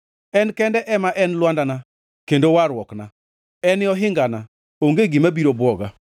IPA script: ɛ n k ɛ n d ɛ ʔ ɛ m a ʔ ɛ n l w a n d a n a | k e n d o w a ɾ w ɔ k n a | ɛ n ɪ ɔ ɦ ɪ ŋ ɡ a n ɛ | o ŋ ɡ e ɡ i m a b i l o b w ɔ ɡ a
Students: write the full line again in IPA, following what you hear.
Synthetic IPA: ɛ n k ɛ n d ɛ ʔ ɛ m a ʔ ɛ n l w a n d a n a | k e n d o w a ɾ w ɔ k n a | ɛ n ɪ ɔ ɦ ɪ ŋ ɡ a n a | o ŋ ɡ e ɡ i m a b i ɾ o b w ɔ ɡ a